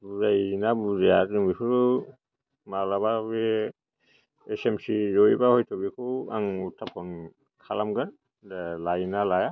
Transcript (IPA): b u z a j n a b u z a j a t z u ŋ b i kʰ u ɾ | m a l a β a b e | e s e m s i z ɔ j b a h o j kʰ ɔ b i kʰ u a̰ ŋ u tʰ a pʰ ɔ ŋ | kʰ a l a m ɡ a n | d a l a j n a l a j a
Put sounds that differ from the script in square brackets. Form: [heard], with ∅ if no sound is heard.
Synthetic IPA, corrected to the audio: b u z a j n a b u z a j a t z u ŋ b i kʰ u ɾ | m a l a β a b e | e s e m s i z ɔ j b a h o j [tʰ] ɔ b i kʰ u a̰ ŋ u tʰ a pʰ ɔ [n] | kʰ a l a m ɡ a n | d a l a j n a l a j a